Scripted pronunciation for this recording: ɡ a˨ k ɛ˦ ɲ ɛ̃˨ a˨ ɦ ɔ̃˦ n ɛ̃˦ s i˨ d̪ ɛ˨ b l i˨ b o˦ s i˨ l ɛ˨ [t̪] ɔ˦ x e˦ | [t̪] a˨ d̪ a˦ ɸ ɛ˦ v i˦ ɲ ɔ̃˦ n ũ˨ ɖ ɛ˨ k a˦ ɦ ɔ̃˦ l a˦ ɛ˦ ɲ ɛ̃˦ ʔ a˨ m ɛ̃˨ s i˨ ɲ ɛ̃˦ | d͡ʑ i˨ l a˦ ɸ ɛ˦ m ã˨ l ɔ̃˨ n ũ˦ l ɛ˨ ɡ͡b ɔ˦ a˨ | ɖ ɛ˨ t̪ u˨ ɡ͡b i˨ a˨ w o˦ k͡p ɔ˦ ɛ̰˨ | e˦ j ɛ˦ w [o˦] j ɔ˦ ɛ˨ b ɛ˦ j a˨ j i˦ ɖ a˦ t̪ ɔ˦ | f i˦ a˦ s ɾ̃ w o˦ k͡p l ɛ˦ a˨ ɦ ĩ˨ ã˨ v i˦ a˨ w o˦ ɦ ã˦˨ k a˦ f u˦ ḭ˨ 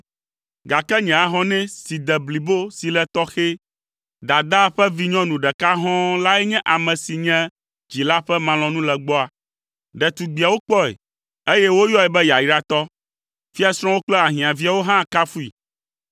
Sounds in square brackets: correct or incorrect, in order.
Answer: correct, incorrect: d̪, correct

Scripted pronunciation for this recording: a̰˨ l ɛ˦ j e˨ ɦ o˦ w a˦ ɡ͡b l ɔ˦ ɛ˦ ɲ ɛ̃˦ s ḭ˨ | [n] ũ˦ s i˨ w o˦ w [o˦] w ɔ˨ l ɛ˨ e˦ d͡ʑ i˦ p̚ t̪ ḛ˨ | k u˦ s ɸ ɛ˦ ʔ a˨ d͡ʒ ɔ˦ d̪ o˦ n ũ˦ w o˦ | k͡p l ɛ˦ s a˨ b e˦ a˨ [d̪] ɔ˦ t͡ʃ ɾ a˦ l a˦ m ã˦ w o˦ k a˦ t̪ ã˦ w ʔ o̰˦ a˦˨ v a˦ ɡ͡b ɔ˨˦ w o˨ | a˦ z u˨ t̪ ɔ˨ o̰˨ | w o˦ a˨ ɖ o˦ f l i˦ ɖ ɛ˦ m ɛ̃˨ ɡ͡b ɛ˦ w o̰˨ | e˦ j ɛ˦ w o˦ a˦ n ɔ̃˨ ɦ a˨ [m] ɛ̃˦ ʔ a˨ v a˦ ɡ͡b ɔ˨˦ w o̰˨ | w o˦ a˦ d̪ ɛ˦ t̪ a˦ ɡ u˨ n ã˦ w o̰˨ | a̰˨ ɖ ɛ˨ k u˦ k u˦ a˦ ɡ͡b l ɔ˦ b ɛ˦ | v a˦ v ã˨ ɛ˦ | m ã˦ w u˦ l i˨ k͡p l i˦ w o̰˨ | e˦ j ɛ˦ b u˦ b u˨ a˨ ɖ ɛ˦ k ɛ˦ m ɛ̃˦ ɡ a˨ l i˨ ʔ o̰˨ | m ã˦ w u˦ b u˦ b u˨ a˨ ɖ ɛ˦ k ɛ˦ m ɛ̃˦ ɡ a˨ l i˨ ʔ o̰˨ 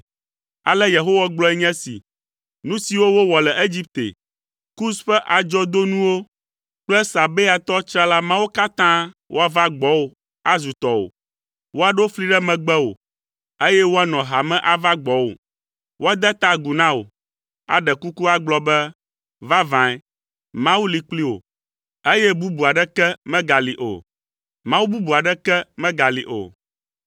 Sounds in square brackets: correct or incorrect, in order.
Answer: correct, correct, incorrect: t̪, correct

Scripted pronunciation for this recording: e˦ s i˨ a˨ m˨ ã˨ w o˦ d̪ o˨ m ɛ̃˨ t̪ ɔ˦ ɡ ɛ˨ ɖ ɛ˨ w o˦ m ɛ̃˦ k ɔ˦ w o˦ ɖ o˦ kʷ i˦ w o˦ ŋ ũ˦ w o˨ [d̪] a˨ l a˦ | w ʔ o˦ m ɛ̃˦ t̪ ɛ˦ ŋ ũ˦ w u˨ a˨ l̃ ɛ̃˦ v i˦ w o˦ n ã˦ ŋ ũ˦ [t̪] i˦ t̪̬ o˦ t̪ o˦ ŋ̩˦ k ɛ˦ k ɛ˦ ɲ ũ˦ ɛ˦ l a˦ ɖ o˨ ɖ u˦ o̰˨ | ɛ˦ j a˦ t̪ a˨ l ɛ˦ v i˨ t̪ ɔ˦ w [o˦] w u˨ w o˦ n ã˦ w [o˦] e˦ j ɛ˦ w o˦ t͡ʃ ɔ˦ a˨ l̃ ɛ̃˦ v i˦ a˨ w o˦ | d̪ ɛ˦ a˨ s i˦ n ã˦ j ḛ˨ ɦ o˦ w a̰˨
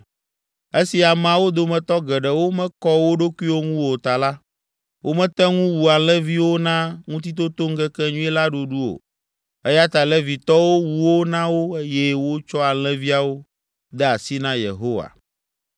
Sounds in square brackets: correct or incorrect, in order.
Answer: incorrect: t̪, correct, correct, correct

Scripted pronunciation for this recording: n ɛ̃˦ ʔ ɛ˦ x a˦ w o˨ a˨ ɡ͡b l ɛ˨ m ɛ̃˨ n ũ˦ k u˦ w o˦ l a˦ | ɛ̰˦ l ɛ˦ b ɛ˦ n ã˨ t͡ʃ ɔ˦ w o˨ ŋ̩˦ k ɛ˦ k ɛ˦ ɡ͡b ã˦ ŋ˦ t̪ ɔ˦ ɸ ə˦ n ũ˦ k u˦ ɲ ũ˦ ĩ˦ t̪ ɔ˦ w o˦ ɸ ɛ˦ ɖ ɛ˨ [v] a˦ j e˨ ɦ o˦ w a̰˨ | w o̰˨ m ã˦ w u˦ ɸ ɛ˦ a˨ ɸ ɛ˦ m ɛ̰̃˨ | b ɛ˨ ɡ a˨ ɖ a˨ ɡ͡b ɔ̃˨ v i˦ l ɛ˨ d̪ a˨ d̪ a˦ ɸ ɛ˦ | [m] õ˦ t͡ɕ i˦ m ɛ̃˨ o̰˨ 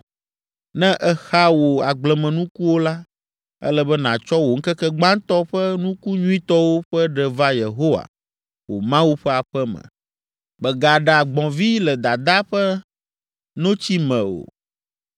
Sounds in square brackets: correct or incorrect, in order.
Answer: correct, incorrect: n

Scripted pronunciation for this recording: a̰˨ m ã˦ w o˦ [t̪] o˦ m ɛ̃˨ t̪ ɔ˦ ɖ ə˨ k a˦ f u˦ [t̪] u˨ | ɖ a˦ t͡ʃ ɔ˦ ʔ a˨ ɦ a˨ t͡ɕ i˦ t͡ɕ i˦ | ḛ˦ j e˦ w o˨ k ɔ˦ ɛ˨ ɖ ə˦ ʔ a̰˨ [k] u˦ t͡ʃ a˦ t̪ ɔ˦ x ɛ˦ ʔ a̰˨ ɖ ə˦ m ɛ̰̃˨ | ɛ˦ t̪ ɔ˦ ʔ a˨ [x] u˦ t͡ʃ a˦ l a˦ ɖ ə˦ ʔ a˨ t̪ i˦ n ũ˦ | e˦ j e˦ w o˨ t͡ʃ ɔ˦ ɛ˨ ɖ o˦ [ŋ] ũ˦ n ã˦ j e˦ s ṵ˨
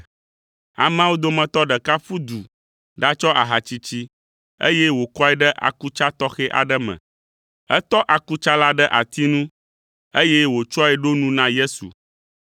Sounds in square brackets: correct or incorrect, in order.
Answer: incorrect: d̪, incorrect: d̪, correct, incorrect: k, incorrect: n

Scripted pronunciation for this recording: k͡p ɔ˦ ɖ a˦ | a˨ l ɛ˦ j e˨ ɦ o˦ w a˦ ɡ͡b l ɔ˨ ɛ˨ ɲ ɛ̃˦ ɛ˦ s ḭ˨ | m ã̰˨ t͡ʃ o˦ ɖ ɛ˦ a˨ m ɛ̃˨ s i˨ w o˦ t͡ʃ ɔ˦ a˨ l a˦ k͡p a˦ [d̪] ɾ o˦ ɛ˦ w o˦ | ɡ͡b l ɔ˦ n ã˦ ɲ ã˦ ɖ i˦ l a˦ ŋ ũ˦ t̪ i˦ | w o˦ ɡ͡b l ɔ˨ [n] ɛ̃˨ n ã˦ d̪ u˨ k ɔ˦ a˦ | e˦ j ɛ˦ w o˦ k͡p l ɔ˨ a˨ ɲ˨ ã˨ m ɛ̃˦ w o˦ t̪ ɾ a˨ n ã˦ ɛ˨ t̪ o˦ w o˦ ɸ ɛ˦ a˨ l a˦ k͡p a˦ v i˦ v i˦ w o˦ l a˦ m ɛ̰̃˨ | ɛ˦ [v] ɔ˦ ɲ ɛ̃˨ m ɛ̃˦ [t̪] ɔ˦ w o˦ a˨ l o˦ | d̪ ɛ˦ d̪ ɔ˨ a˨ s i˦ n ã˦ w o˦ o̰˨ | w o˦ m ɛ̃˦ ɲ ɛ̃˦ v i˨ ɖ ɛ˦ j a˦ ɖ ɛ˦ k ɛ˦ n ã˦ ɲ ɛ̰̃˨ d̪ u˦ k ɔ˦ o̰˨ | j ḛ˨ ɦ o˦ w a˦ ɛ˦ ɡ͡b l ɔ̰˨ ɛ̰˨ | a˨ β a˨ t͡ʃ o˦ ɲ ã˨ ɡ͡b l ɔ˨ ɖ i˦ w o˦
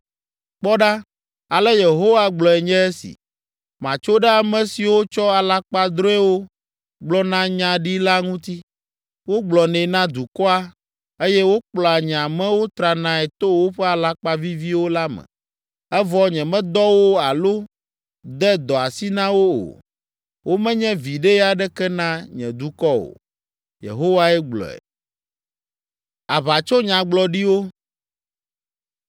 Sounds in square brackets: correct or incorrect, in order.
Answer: correct, correct, correct, incorrect: d̪

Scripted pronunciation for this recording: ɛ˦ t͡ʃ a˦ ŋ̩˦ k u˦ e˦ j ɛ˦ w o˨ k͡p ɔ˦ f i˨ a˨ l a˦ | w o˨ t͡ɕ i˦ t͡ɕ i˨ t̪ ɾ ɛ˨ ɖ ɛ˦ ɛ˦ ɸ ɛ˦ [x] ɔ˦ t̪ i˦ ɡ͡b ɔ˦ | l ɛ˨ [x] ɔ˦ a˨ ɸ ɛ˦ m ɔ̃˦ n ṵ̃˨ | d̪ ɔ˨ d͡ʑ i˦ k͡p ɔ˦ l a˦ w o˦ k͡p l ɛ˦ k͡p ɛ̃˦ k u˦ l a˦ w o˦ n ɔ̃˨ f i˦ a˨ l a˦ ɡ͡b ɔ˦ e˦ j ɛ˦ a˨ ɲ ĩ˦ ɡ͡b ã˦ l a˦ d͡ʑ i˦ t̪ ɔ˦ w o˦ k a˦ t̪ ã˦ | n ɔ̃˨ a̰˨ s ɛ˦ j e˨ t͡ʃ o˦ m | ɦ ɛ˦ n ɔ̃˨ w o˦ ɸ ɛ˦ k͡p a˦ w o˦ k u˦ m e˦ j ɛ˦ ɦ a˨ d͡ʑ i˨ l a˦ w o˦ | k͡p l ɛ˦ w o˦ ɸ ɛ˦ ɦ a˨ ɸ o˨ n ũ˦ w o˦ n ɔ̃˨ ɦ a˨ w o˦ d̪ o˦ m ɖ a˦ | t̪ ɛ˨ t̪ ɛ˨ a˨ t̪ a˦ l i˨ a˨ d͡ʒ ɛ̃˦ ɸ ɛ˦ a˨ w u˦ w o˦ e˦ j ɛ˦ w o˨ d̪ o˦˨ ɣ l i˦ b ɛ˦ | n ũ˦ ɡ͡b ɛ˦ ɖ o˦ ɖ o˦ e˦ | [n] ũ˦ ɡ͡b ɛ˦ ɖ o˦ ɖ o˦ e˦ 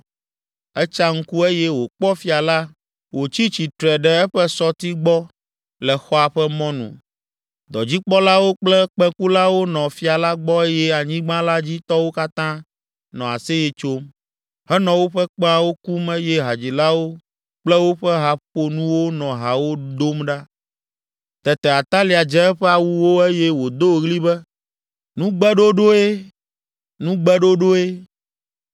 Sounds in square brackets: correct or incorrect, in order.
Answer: incorrect: s, correct, correct

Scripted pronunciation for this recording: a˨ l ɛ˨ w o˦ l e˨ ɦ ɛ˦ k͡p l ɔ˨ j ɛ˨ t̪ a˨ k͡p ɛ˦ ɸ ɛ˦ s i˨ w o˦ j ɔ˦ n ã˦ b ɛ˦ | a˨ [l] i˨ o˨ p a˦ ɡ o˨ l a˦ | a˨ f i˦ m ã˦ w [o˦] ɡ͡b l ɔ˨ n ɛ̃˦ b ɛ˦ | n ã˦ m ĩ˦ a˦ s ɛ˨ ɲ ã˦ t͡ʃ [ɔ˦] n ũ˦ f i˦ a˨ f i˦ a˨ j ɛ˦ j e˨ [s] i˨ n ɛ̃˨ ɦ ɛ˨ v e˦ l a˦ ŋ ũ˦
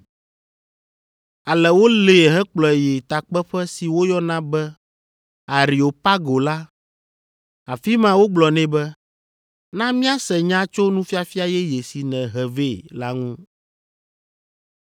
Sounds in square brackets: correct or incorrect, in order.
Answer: incorrect: ɾ, correct, incorrect: o˦, correct

